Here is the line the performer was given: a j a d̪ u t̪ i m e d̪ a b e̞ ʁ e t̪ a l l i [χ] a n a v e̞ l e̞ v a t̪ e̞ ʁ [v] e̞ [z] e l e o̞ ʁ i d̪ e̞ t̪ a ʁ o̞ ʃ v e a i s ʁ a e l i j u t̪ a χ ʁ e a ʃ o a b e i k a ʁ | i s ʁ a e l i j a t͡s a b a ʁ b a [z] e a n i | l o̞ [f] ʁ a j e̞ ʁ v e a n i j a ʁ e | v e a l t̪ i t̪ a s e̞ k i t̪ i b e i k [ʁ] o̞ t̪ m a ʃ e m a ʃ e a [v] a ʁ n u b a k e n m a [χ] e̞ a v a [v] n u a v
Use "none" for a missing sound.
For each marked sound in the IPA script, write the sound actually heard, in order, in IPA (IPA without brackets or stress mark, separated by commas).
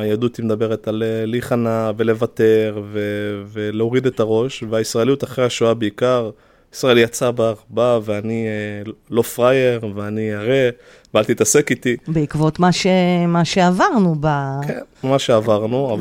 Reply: χ, v, v, v, f, v, v, ʃ, ʁ